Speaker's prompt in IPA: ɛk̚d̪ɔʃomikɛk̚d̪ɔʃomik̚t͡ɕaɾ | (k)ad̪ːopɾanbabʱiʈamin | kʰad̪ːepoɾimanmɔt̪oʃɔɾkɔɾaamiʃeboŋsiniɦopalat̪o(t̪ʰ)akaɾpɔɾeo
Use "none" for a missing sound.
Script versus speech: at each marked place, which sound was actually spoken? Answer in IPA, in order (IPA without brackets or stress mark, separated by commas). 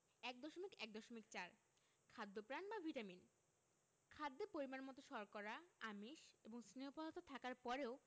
kʰ, t̪ʰ